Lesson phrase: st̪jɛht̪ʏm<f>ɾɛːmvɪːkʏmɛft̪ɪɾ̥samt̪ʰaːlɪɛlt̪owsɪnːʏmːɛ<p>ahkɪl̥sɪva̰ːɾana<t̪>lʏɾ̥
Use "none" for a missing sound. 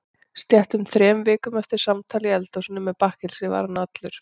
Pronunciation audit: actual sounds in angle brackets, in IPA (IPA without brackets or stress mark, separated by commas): θ, p, t̪